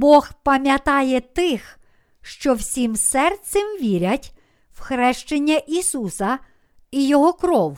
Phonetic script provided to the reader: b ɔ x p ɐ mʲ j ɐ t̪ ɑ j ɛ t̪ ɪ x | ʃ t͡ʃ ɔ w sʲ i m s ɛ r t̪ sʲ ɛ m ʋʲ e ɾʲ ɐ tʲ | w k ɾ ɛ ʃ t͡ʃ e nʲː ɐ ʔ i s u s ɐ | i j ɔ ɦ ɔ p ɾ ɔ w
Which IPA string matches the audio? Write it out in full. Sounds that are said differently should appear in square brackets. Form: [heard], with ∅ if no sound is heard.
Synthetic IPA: b ɔ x p ɐ mʲ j ɐ t̪ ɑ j ɛ t̪ ɪ x | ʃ t͡ʃ ɔ w sʲ i m s ɛ r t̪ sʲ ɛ m ʋʲ [i] ɾʲ ɐ tʲ | w [x] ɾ ɛ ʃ t͡ʃ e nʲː ɐ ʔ i s u s ɐ | i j ɔ ɦ ɔ [k] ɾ ɔ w